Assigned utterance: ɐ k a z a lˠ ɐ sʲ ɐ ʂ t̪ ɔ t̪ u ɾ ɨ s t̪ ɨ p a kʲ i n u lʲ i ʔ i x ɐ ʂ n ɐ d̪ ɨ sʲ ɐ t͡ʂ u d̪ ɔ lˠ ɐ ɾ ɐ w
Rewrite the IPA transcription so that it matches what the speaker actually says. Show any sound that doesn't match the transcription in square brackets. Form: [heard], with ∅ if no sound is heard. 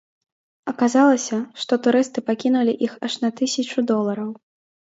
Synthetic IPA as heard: ɐ k a z a lˠ ɐ sʲ ɐ ʂ t̪ ɔ t̪ u ɾ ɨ s t̪ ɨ p a kʲ i n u lʲ i ʔ i x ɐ ʂ n ɐ [t̪] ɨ sʲ ɐ t͡ʂ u d̪ ɔ lˠ ɐ ɾ ɐ w